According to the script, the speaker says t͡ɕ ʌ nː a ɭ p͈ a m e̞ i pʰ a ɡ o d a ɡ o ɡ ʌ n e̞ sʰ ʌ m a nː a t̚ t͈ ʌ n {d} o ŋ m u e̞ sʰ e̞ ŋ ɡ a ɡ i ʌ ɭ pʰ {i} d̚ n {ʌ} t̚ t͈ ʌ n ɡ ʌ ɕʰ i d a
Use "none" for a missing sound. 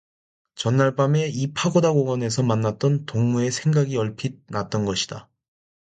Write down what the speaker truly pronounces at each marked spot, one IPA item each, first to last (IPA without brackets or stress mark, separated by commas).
t, i, a